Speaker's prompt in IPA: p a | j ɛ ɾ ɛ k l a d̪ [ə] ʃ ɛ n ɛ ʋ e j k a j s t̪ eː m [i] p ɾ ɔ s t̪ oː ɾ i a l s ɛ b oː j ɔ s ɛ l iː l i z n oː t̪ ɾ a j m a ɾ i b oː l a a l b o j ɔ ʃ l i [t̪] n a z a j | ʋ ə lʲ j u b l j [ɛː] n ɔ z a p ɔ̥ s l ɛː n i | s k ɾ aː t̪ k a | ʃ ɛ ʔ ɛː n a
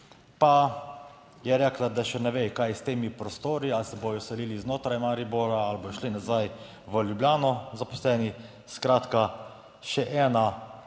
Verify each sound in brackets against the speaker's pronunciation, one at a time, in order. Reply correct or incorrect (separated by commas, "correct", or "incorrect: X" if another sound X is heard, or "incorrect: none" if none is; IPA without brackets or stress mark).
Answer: incorrect: a, correct, incorrect: none, incorrect: aː